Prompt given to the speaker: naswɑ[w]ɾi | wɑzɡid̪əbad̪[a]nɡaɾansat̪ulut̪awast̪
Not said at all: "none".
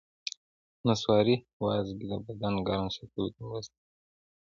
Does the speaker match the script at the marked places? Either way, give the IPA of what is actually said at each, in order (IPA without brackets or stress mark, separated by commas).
none, a